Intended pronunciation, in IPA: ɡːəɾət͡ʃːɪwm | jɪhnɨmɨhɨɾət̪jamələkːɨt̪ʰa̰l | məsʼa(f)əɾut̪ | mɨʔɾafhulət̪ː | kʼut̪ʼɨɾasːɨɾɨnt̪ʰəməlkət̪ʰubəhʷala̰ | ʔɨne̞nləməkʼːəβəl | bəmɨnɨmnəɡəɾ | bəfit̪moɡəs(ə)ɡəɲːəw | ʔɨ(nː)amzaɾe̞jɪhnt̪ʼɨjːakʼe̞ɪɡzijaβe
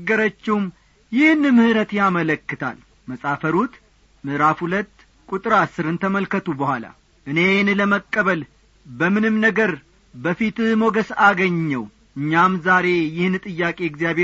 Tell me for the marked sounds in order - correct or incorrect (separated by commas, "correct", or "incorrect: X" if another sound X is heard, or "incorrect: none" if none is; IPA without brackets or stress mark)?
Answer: correct, incorrect: a, incorrect: ɲː